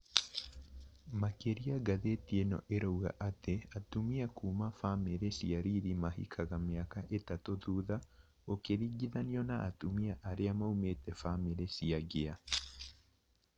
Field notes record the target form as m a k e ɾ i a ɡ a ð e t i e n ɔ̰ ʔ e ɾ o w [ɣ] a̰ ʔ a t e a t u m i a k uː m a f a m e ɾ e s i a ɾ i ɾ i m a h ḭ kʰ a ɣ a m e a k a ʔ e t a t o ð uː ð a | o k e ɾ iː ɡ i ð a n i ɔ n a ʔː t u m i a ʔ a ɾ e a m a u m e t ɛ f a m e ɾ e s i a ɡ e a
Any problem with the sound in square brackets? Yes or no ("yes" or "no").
no